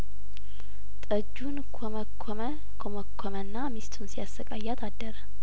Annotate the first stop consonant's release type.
ejective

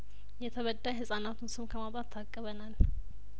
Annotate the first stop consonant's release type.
aspirated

